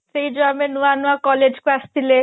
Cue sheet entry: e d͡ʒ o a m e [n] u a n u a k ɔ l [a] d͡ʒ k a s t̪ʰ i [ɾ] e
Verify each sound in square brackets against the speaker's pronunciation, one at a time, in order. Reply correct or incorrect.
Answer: correct, incorrect: e, incorrect: l

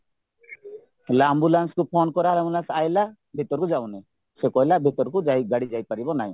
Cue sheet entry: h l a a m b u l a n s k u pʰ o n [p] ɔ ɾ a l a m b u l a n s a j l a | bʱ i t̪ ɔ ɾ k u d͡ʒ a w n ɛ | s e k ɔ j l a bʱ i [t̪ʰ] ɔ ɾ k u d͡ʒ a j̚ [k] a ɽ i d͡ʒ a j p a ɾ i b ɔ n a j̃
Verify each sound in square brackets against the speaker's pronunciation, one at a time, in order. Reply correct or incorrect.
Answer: incorrect: k, incorrect: t̪, incorrect: ɡ

